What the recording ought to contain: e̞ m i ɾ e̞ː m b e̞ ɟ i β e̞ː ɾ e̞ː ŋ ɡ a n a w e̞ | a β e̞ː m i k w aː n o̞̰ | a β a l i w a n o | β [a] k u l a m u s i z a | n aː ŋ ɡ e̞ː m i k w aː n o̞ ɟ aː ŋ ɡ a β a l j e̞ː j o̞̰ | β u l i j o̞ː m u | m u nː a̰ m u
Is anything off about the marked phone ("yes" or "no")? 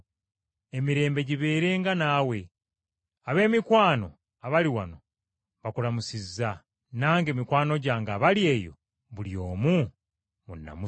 no